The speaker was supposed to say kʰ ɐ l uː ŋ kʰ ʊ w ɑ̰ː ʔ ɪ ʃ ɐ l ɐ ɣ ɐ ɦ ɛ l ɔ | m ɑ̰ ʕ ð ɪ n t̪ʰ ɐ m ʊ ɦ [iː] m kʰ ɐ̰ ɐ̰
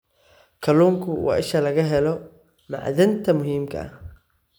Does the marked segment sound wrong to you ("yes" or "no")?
no